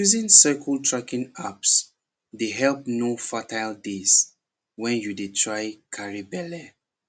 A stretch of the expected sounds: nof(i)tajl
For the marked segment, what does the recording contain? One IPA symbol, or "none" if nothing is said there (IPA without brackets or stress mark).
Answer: a